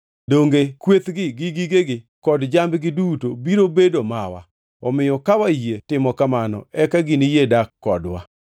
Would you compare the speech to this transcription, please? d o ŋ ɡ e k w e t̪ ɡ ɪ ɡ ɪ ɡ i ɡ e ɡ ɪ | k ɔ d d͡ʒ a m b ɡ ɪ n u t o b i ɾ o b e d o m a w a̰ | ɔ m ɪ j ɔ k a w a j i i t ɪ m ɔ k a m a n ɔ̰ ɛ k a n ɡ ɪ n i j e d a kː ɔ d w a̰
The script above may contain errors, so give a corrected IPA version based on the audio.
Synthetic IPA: d o ŋ ɡ e k w e t̪ ɡ ɪ ɡ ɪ ɡ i ɡ e ɡ ɪ | k ɔ d d͡ʒ a m b ɡ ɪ d u t o b i ɾ o b e d o m a w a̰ | ɔ m ɪ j ɔ k a w a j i e t ɪ m ɔ k a m a n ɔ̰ ɛ k a ɡ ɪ n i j e d a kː ɔ d w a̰